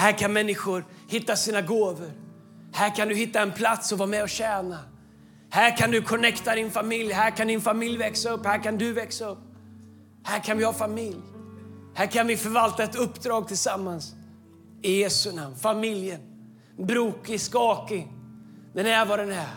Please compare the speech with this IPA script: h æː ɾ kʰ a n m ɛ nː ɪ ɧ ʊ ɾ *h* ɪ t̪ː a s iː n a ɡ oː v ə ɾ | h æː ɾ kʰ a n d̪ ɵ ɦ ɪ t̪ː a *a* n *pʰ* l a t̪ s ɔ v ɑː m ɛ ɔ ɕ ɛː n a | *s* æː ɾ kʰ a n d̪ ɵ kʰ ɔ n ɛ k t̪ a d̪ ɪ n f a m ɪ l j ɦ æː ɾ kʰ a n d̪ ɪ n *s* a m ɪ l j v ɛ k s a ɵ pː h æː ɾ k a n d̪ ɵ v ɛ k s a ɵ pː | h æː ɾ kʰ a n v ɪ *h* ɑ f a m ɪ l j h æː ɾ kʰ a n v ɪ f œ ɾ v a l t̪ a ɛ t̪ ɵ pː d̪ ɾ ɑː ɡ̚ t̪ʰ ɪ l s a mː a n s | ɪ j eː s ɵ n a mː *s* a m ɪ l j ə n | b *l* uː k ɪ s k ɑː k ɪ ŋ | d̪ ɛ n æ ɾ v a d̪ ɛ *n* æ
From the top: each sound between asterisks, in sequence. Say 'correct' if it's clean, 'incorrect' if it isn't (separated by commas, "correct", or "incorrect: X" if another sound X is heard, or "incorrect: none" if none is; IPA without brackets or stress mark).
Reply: correct, incorrect: ɛ, correct, incorrect: h, incorrect: f, correct, incorrect: f, incorrect: ɾ, correct